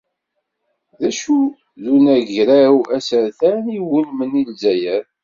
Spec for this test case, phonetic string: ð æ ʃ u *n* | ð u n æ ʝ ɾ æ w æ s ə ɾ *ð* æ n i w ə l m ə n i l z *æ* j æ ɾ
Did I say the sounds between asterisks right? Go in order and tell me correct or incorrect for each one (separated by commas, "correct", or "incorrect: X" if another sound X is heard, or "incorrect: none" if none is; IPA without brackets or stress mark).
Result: incorrect: none, incorrect: θ, correct